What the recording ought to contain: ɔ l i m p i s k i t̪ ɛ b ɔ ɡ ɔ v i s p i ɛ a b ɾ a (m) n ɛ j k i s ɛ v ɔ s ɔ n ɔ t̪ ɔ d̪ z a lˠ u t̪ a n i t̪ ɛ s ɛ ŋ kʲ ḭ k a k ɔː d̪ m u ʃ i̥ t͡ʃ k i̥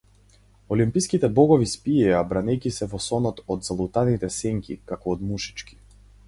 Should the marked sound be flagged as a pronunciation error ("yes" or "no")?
yes